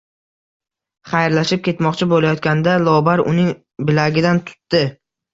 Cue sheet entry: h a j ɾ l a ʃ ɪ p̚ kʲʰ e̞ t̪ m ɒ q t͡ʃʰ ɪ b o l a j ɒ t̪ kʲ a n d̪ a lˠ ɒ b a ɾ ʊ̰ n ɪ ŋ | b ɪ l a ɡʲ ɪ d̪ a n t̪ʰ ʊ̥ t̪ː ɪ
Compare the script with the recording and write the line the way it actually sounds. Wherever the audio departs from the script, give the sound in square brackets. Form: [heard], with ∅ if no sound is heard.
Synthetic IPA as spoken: [χ] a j ɾ l a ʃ ɪ p̚ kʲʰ e̞ t̪ m ɒ q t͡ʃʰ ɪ b o l a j ɒ t̪ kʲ a n d̪ a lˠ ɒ b a ɾ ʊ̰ n ɪ ŋ | b ɪ l a ɡʲ ɪ d̪ a n t̪ʰ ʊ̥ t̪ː ɪ